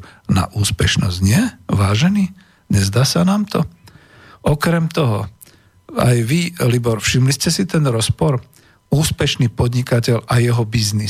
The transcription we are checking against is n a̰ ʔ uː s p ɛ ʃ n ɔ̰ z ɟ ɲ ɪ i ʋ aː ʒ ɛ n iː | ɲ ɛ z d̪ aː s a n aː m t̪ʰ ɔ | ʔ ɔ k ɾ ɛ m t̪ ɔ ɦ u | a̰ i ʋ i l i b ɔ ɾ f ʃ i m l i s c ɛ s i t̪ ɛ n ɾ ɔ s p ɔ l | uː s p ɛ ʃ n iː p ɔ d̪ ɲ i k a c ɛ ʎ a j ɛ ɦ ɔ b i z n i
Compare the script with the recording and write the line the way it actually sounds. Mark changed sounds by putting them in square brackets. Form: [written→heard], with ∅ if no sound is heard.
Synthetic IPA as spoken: n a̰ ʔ uː s p ɛ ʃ n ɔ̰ z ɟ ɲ ɪ [i→ɛ] ʋ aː ʒ ɛ n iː | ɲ ɛ z d̪ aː s a n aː m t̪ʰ ɔ | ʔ ɔ k ɾ ɛ m t̪ ɔ ɦ [u→ɔ] | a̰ [i→j] ʋ i l i b ɔ ɾ f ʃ i m l i s c ɛ s i t̪ ɛ n ɾ ɔ s p ɔ [l→ɾ] | uː s p ɛ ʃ n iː p ɔ d̪ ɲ i k a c ɛ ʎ a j ɛ ɦ ɔ b i z n i